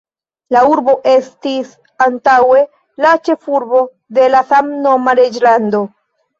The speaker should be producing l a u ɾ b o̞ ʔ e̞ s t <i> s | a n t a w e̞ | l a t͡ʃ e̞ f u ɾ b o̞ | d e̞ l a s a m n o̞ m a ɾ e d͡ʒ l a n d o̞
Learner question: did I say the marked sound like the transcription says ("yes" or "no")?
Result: yes